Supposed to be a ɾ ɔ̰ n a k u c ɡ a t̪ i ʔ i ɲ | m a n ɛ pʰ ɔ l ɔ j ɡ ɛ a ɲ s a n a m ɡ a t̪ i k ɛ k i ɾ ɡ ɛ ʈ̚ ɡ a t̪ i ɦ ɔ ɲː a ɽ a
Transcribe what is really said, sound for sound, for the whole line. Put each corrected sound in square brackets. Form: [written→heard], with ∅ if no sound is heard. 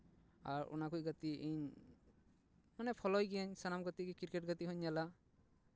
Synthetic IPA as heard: a ɾ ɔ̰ n a k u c ɡ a t̪ i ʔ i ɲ | m a n ɛ pʰ ɔ l ɔ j ɡ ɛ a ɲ s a n a m ɡ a t̪ i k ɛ k i ɾ [ɡ→k] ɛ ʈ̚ ɡ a t̪ i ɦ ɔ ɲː a [ɽ→l] a